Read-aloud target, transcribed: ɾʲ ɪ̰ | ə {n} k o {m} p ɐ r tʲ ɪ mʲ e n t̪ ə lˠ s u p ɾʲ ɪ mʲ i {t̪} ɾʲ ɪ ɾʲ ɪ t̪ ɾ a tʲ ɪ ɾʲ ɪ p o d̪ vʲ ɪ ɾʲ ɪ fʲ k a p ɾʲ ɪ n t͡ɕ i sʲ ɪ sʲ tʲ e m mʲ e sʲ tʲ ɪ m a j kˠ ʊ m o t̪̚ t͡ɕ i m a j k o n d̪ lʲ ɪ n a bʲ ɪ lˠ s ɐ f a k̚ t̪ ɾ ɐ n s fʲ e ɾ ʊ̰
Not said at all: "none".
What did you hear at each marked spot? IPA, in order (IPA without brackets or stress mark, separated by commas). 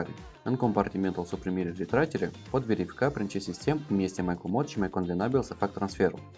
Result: n, m, none